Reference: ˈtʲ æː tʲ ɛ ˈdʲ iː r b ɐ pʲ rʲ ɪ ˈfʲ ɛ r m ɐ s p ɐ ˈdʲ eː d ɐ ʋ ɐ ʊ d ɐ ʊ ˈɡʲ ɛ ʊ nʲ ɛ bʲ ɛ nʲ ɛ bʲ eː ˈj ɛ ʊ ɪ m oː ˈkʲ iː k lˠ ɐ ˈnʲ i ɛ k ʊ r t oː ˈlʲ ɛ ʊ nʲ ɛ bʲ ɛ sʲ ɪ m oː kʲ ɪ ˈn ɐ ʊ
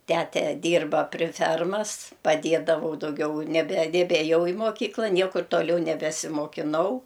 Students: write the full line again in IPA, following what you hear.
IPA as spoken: ˈtʲ æː tʲ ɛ ˈdʲ iː r b ɐ pʲ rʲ ɪ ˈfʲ ɛ r m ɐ s p ɐ ˈdʲ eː d ɐ ʋ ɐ ʊ d ɐ ʊ ˈɡʲ ɛ ʊ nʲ ɛ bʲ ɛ nʲ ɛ bʲ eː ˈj ɛ ʊ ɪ m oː ˈkʲ iː k lˠ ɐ ˈnʲ i ɛ k ʊ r t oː ˈlʲ ɛ ʊ nʲ ɛ bʲ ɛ sʲ ɪ m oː kʲ ɪ ˈn ɐ ʊ

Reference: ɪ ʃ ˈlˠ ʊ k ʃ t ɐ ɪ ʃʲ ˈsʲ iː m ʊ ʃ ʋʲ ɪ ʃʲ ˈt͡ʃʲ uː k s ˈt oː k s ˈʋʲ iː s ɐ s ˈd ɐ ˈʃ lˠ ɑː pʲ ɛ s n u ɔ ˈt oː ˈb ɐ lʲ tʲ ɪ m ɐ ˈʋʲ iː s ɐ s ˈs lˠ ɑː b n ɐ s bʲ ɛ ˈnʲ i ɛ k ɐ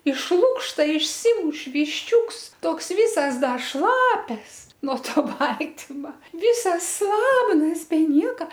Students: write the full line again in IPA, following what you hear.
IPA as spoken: ɪ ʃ ˈlˠ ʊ k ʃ t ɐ ɪ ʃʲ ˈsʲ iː m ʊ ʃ ʋʲ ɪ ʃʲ ˈt͡ʃʲ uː k s ˈt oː k s ˈʋʲ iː s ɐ s ˈd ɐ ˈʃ lˠ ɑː pʲ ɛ s n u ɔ ˈt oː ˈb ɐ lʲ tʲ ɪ m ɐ ˈʋʲ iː s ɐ s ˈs lˠ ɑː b n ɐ s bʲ ɛ ˈnʲ i ɛ k ɐ

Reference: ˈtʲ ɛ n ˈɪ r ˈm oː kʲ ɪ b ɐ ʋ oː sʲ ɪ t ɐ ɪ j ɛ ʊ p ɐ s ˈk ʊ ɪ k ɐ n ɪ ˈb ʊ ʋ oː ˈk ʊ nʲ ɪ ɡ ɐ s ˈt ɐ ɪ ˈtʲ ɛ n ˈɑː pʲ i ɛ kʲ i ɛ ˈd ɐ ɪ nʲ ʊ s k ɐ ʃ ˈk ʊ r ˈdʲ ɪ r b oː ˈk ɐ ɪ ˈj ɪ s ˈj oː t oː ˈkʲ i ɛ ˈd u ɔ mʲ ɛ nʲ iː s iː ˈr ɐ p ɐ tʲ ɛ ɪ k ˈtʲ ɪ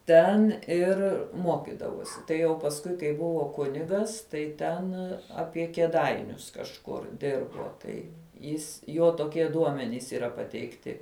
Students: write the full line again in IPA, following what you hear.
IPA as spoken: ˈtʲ ɛ n ˈɪ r ˈm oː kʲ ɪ d ɐ ʋ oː sʲ ɪ t ɐ ɪ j ɛ ʊ p ɐ s ˈk ʊ ɪ k ɐ ɪ ˈb ʊ ʋ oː ˈk ʊ nʲ ɪ ɡ ɐ s ˈt ɐ ɪ ˈtʲ ɛ n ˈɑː pʲ i ɛ kʲ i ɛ ˈd ɐ ɪ nʲ ʊ s k ɐ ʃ ˈk ʊ r ˈdʲ ɪ r b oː ˈt ɐ ɪ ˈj ɪ s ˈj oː t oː ˈkʲ i ɛ ˈd u ɔ mʲ ɛ nʲ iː s iː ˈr ɐ p ɐ tʲ ɛ ɪ k ˈtʲ ɪ

